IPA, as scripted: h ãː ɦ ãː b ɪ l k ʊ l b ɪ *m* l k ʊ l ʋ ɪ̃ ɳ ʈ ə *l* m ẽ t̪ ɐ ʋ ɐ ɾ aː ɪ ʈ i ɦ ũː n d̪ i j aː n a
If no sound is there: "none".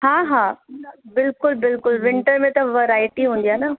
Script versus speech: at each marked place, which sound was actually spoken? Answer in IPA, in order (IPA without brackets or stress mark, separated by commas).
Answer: none, ɾ